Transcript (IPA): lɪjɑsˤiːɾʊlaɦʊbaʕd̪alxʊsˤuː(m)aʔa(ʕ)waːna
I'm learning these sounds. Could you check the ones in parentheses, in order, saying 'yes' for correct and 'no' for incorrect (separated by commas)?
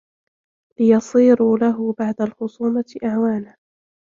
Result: yes, yes